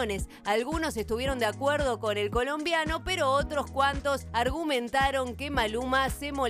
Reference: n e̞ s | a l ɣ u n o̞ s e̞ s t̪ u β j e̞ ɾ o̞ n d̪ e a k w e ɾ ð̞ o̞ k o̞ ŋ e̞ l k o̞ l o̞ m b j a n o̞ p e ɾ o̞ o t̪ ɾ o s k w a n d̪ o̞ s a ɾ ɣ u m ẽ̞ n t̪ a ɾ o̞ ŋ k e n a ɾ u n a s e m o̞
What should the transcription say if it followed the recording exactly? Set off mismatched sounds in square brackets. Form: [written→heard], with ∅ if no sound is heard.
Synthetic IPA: n e̞ s | a l ɣ u n o̞ s e̞ s t̪ u β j e̞ ɾ o̞ n d̪ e a k w e ɾ ð̞ o̞ k o̞ [ŋ→n] e̞ l k o̞ l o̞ m b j a n o̞ p e ɾ o̞ o t̪ ɾ o s k w a n [d̪→t̪] o̞ s a ɾ ɣ u m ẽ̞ n t̪ a ɾ o̞ ŋ k e [n→m] a [ɾ→l] u [n→m] a s e m o̞